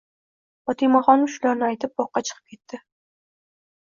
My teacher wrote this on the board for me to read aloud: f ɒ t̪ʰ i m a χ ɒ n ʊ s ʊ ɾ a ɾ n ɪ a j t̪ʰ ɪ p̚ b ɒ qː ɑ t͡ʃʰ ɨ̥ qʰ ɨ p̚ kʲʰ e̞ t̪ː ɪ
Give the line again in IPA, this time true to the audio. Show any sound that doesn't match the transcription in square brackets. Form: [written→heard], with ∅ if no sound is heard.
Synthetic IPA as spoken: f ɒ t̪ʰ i m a χ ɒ n ʊ [s→ʃ] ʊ [ɾ→l] a ɾ n ɪ a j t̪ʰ ɪ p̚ b ɒ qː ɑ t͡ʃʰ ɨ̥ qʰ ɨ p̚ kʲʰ e̞ t̪ː ɪ